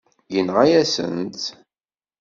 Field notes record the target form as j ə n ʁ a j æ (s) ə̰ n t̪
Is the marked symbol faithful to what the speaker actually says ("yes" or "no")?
yes